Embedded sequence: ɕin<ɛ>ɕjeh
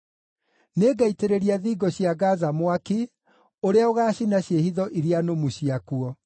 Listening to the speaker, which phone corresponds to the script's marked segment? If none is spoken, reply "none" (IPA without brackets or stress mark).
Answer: a